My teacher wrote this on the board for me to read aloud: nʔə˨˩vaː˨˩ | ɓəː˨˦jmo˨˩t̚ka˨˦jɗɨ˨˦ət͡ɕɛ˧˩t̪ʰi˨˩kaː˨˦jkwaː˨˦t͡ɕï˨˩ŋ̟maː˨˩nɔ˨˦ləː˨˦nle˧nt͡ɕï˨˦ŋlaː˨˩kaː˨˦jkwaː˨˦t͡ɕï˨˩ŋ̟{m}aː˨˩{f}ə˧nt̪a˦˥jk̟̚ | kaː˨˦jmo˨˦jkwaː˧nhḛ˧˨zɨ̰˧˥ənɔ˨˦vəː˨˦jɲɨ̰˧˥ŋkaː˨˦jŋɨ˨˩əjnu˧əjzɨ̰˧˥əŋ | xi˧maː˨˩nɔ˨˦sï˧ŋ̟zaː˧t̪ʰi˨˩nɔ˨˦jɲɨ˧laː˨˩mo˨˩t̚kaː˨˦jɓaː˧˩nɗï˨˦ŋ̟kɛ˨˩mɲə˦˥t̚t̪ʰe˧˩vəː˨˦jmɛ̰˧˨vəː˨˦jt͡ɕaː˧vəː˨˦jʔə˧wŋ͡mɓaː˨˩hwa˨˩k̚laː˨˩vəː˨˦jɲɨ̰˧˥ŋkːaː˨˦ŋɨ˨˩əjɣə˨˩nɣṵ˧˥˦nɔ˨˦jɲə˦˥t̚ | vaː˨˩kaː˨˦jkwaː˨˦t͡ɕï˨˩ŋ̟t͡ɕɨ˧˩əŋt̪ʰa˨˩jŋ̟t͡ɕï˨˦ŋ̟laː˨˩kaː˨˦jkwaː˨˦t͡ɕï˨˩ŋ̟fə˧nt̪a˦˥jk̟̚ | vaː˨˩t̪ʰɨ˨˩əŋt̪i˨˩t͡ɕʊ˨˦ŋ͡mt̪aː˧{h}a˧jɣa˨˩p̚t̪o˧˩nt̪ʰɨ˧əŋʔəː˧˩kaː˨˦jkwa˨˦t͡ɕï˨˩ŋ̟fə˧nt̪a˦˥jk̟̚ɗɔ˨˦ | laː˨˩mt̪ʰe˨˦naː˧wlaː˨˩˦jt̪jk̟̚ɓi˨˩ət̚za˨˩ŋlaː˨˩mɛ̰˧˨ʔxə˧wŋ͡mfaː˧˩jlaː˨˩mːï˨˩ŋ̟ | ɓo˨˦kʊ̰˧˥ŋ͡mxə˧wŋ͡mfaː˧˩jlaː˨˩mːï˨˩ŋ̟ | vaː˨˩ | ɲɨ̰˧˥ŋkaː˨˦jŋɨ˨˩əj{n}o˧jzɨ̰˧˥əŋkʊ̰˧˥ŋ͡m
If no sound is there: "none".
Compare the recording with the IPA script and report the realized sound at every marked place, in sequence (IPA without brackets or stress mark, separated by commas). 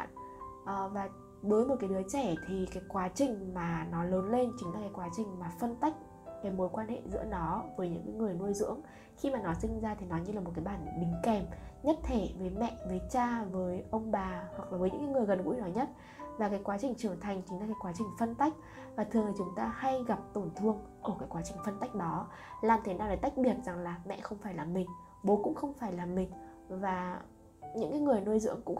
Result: m, f, h, n